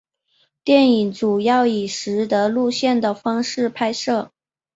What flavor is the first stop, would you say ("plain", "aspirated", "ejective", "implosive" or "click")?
plain